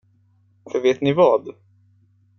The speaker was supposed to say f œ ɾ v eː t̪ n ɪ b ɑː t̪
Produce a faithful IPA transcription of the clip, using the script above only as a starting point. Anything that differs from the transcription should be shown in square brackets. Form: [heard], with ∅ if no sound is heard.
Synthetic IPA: f œ ɾ v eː t̪ n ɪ [v] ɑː [d̪]

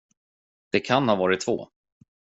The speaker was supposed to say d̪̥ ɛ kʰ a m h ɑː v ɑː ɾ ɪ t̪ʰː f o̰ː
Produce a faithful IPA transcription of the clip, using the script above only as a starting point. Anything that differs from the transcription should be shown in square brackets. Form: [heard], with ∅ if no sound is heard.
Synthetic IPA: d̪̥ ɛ kʰ a [n] h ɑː v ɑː ɾ ɪ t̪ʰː [v] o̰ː

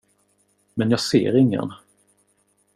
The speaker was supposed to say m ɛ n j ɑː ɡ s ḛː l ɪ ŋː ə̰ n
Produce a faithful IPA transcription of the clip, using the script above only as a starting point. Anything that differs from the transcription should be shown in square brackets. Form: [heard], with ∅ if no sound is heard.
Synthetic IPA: m ɛ n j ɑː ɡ s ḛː [ɾ] ɪ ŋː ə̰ n

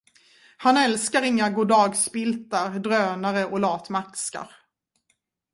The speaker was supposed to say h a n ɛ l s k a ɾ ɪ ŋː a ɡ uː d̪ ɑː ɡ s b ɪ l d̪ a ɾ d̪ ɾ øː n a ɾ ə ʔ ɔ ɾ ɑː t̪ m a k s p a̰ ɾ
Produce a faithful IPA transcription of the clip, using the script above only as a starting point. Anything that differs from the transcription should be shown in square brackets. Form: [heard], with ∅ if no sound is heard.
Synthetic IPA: h a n ɛ l s k a ɾ ɪ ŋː a ɡ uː d̪ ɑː ɡ s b ɪ l [t̪] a ɾ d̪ ɾ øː n a ɾ ə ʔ ɔ [l] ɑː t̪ m a k s [k] a̰ ɾ

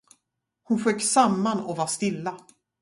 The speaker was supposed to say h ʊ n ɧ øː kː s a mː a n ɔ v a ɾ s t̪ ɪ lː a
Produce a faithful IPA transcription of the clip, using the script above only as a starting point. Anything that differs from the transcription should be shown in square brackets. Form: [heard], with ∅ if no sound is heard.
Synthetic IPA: h ʊ n ɧ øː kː s a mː a n ɔ v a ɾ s t̪ ɪ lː a

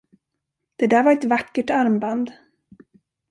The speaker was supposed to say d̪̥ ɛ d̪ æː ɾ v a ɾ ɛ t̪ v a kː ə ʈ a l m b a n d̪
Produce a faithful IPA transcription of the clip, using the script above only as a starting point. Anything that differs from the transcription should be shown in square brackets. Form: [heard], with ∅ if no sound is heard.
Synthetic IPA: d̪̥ ɛ d̪ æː ɾ v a ɾ ɛ t̪ v a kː ə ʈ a [ɾ] m b a n d̪

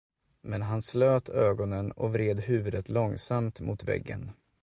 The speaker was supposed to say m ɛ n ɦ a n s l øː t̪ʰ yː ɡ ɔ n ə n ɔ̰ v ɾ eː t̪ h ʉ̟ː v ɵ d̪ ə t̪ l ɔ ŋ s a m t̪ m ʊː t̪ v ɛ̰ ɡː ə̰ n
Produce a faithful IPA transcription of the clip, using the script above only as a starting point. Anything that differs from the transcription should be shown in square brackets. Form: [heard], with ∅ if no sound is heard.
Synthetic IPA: m ɛ n ɦ a n s l øː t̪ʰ [øː] ɡ ɔ n ə n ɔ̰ v ɾ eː [d̪] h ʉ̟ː v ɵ d̪ ə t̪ l ɔ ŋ s a m t̪ m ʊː t̪ v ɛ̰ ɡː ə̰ n

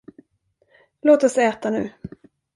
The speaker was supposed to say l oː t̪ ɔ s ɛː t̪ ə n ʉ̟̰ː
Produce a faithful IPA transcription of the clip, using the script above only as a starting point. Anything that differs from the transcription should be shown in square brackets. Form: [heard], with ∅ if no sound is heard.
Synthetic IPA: l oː t̪ ɔ s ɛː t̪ [a] n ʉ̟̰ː

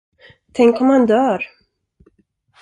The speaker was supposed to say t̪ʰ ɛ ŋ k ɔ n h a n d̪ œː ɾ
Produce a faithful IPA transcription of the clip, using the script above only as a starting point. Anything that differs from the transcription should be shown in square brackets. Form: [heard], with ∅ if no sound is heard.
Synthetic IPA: t̪ʰ ɛ ŋ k ɔ [m] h a n d̪ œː ɾ

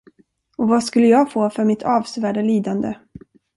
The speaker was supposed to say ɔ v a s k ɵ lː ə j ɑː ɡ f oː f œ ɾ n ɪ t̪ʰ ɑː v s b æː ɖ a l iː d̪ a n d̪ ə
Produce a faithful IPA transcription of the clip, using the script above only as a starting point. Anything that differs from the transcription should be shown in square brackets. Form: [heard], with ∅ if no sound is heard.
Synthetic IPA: ɔ v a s k ɵ lː ə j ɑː ɡ f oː f œ ɾ [m] ɪ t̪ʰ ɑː v s [v] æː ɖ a l iː d̪ a n d̪ ə

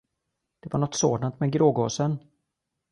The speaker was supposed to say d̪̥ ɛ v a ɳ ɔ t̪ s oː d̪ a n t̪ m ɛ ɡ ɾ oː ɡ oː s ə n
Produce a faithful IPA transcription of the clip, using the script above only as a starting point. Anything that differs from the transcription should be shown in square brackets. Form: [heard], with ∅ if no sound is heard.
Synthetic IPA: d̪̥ ɛ v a ɳ ɔ t̪ s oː d̪ a n t̪ m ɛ ɡ ɾ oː ɡ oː s ə n

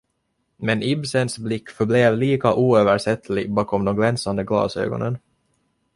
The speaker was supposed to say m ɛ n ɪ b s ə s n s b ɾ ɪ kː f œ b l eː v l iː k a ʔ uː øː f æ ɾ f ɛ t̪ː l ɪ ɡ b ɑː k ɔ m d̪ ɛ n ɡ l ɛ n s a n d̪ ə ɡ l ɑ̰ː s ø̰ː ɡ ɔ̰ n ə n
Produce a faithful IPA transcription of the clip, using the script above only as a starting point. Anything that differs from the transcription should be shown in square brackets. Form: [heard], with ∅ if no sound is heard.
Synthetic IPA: m ɛ n ɪ b s ə [∅] n s b [l] ɪ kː f œ b l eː v l iː k a ʔ uː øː [v] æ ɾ [ʂ] ɛ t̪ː l ɪ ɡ b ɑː k ɔ m d̪ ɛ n ɡ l ɛ n s a n d̪ ə ɡ l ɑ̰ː s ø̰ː ɡ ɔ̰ n ə n

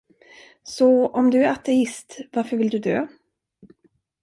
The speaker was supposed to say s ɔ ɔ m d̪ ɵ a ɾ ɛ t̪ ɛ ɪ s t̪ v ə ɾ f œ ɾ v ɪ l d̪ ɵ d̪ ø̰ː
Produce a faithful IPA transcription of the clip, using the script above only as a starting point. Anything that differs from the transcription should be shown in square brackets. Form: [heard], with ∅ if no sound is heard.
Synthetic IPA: s ɔ ɔ m d̪ ɵ [æ] ɾ [a] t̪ ɛ ɪ s t̪ v [a] ɾ f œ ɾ v ɪ l d̪ ɵ d̪ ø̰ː

